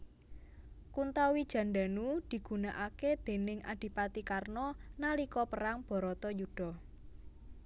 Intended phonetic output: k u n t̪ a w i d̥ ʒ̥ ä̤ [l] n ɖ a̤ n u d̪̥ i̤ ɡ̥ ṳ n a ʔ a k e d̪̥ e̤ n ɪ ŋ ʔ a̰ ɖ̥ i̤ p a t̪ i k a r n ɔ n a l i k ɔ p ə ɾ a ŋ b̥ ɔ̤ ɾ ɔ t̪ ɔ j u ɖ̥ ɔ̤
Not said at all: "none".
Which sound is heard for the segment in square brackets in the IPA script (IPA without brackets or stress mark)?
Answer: none